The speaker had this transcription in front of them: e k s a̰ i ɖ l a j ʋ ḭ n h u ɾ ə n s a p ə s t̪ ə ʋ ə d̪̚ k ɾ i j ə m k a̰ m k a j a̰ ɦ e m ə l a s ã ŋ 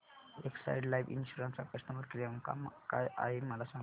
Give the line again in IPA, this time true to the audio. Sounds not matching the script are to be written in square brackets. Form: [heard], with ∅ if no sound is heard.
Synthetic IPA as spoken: e k s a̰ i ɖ l a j ʋ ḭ n [ɕ] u ɾ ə n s a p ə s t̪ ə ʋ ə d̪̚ k ɾ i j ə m k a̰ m k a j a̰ ɦ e m ə l a s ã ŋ